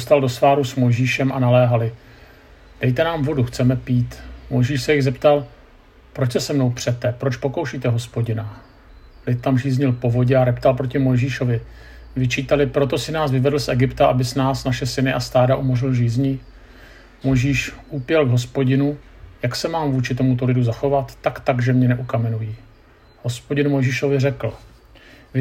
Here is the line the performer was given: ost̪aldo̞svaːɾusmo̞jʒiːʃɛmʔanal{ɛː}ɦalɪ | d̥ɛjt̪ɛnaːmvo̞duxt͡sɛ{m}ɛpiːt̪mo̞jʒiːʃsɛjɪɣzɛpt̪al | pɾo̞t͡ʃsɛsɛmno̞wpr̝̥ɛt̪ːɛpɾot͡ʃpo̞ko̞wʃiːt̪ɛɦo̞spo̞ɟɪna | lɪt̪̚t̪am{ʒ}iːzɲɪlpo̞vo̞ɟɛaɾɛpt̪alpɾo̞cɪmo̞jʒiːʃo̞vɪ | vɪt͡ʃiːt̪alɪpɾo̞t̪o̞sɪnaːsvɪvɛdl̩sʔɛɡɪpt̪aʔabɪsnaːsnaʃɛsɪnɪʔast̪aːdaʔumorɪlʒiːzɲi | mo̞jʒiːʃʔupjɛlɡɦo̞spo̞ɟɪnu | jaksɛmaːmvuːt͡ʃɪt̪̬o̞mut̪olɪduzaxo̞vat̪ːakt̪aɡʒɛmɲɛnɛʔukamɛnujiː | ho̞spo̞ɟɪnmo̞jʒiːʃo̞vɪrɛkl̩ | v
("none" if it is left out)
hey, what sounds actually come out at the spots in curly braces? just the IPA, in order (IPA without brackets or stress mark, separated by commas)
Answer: ɛː, m, ʒ